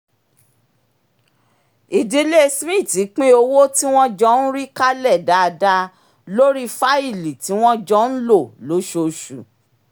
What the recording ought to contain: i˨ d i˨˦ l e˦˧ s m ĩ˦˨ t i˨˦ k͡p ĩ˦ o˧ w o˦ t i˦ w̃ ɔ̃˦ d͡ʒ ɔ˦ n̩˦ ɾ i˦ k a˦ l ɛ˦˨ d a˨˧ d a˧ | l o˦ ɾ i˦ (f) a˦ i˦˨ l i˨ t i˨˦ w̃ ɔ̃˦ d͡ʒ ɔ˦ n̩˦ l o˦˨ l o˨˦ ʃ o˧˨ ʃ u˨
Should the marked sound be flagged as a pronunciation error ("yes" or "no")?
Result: no